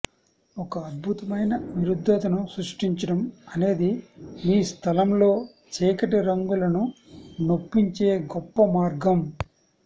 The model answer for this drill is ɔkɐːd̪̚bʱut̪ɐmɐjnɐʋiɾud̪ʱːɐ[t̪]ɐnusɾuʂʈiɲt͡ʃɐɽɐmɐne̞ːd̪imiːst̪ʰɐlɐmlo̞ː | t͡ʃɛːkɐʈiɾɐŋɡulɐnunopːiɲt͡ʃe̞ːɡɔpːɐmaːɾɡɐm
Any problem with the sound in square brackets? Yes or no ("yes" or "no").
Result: no